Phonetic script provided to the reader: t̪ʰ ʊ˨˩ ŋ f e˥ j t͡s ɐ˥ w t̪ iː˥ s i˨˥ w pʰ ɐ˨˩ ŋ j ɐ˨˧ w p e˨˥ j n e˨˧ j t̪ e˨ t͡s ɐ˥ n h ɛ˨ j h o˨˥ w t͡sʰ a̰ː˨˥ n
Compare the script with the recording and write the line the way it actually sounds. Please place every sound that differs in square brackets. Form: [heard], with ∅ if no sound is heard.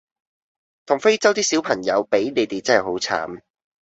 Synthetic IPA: t̪ʰ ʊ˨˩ ŋ f e˥ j t͡s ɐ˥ w t̪ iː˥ s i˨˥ w pʰ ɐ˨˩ ŋ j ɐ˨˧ w p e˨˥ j n e˨˧ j t̪ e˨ t͡s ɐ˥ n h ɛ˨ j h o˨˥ w t͡sʰ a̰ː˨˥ [m]